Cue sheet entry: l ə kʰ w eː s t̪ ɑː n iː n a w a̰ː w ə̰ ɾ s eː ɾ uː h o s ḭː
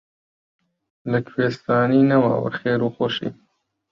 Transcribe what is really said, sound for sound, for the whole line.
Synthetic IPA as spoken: l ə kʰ w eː s t̪ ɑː n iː n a w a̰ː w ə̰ ɾ x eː ɾ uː x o ʃ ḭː